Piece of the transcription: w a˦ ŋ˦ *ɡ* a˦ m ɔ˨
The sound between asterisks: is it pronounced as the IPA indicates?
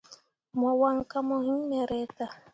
no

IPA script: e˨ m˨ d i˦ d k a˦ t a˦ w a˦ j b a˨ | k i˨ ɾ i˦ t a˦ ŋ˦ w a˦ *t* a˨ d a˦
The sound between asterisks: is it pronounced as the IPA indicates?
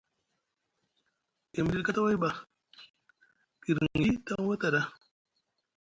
yes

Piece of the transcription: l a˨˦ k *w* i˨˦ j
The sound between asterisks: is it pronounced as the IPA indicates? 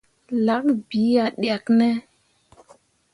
no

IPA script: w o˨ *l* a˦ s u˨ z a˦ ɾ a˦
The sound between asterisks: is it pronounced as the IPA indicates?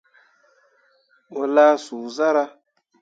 yes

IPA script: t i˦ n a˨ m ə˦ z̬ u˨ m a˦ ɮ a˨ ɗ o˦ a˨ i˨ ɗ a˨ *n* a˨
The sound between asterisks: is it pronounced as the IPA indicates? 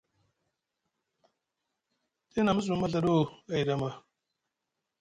no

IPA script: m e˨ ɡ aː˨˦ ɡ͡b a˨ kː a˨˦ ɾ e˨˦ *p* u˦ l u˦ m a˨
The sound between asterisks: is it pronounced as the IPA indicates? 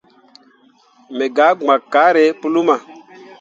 yes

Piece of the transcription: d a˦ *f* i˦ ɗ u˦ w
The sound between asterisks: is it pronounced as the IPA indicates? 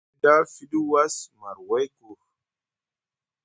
yes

